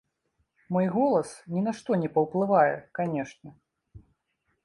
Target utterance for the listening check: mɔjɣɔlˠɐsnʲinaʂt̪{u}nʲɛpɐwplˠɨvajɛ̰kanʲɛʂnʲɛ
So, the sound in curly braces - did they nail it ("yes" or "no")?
no